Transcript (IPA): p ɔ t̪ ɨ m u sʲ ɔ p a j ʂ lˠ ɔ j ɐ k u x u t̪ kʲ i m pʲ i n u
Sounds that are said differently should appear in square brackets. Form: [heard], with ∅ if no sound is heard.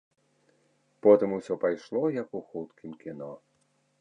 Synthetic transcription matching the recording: p ɔ t̪ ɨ m u sʲ ɔ p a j ʂ lˠ ɔ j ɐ k u x u t̪ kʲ i m [kʲ] i n [ɔ]